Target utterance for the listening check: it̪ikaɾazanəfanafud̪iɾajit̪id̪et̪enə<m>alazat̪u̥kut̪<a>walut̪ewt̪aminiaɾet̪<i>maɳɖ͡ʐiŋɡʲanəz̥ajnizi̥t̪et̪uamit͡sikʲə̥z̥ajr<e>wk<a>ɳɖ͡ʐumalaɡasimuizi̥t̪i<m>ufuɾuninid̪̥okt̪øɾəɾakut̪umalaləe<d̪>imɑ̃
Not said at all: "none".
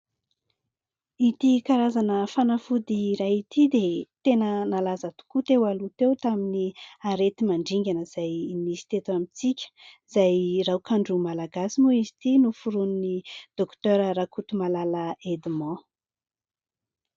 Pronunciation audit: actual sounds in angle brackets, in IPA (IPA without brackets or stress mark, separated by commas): n, e, i, a, a, n, d̪